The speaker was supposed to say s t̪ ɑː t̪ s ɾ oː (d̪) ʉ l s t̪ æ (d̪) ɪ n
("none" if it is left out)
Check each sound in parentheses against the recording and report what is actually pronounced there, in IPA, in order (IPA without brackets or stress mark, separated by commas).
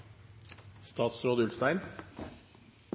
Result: d̪, none